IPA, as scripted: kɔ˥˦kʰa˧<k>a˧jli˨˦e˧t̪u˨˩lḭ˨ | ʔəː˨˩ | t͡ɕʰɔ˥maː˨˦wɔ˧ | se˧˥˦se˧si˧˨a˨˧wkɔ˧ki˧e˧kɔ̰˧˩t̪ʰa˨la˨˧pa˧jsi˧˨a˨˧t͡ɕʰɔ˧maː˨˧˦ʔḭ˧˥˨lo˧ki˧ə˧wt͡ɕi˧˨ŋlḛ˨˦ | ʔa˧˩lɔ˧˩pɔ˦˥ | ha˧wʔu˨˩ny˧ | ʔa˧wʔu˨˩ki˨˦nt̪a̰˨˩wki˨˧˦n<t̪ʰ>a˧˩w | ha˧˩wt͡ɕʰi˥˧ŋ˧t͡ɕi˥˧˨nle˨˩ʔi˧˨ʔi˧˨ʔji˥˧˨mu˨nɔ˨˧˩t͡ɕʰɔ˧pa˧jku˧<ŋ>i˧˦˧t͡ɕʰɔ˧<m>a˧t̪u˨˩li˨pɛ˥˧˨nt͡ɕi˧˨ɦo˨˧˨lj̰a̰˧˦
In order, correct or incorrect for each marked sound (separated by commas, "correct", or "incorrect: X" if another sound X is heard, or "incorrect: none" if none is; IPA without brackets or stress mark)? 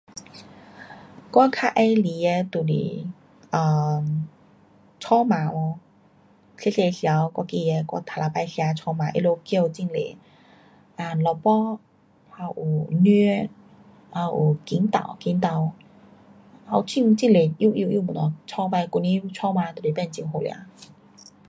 incorrect: ʔ, incorrect: t̪, incorrect: n, correct